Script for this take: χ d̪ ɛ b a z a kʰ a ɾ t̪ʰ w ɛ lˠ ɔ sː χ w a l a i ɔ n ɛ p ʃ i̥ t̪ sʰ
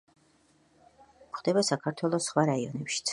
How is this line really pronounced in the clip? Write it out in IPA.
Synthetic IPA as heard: χ d̪ ɛ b a s a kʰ a ɾ t̪ʰ w ɛ lˠ ɔ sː χ w a ɾ a i ɔ n ɛ p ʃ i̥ t̪ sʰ

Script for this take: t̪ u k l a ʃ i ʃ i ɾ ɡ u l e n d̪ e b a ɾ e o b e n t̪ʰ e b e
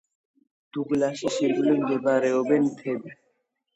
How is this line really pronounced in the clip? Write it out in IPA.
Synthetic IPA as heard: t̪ u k l a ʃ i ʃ i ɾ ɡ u l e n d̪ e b a ɾ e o b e n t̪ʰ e b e

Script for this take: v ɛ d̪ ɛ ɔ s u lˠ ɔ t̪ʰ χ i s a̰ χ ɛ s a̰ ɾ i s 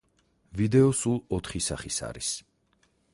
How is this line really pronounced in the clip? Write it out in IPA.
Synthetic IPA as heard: v i d̪ ɛ ɔ s u lˠ ɔ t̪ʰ χ i s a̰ χ i s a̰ ɾ i s

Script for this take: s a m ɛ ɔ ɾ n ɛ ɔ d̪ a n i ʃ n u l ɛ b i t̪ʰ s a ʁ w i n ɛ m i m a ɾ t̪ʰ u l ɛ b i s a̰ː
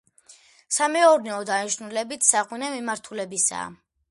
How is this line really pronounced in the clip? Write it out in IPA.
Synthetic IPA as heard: s a m ɛ ɔ ɾ n ɛ ɔ d̪ a n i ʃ n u l ɛ b i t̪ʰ s a ʁ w i n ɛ m i m a ɾ t̪ʰ u l ɛ b i s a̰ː

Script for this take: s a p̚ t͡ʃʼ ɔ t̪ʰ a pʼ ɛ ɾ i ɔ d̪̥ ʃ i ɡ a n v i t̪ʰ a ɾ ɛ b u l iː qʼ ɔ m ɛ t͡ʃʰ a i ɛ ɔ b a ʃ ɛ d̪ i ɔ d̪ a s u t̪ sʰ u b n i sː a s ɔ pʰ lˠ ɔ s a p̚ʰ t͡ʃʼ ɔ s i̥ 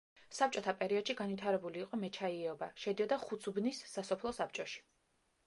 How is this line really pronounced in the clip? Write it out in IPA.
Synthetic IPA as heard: s a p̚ t͡ʃʼ ɔ t̪ʰ a pʼ ɛ ɾ i ɔ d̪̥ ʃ i ɡ a n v i t̪ʰ a ɾ ɛ b u l iː qʼ ɔ m ɛ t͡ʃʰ a i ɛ ɔ b a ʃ ɛ d̪ i ɔ d̪ a χ u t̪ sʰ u b n i sː a s ɔ pʰ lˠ ɔ s a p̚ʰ t͡ʃʼ ɔ ʃ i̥

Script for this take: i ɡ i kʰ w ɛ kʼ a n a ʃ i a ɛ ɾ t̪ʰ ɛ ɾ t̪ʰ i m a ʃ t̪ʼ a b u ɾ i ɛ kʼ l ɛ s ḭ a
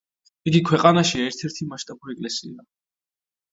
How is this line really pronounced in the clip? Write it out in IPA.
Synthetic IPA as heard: i ɡ i kʰ w ɛ qʼ a n a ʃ i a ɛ ɾ t̪ʰ ɛ ɾ t̪ʰ i m a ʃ t̪ʼ a b u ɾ i ɛ kʼ l ɛ s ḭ a

